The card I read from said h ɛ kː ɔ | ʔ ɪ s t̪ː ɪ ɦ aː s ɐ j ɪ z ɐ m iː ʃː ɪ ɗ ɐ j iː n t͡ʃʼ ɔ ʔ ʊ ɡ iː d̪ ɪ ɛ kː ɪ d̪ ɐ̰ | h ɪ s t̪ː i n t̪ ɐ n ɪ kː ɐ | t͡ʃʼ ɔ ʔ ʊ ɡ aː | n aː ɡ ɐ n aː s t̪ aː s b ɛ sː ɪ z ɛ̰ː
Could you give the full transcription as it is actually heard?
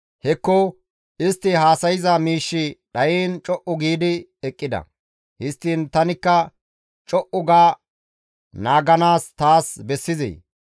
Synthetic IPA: h ɛ kː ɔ | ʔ ɪ s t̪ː ɪ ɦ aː s ɐ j ɪ z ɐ m iː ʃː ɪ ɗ ɐ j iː n t͡ʃʼ ɔ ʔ ʊ ɡ iː d̪ ɪ ɛ kʼː ɪ d̪ ɐ̰ | h ɪ s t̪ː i n t̪ ɐ n ɪ kː ɐ | t͡ʃʼ ɔ ʔ ʊ ɡ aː | n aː ɡ ɐ n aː s t̪ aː s b ɛ sː ɪ z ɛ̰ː